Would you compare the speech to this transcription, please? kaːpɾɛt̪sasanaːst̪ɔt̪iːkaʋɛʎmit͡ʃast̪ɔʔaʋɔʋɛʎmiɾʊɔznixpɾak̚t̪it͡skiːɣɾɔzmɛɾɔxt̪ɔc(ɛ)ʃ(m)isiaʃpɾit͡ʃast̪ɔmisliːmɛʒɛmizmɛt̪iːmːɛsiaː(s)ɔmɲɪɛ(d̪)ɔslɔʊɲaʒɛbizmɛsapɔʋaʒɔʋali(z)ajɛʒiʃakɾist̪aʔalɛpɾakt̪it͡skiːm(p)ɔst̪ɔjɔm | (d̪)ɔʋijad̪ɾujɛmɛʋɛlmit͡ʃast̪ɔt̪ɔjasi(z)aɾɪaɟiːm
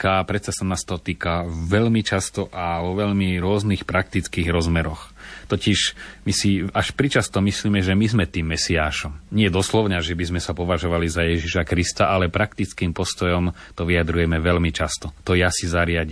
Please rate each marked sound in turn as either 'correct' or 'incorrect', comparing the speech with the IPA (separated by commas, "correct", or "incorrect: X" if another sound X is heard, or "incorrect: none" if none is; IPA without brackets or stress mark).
incorrect: i, correct, incorrect: ʃ, correct, correct, correct, incorrect: t̪, correct